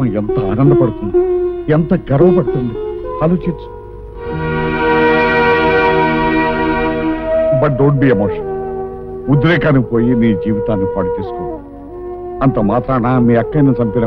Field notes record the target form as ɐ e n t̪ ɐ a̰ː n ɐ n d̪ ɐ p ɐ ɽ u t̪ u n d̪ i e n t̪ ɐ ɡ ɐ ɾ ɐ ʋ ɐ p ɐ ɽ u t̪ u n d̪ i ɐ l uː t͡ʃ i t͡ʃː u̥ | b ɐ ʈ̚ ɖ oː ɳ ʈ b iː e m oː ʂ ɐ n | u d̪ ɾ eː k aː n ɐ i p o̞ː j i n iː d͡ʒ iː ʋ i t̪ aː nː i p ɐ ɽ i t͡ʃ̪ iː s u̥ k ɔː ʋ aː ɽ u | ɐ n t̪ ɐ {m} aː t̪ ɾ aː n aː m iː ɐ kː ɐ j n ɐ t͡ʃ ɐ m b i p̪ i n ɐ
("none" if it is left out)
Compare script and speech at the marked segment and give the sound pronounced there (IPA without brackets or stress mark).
m